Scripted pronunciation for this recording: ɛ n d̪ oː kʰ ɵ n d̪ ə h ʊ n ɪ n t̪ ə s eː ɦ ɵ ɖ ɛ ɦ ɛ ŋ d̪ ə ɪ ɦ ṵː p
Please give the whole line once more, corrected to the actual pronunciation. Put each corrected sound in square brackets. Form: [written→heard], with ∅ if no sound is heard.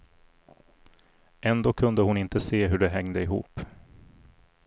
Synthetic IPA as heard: ɛ n d̪ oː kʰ ɵ n d̪ ə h ʊ n ɪ n t̪ ə s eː ɦ ɵ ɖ ɛ ɦ ɛ ŋ d̪ ə ɪ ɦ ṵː p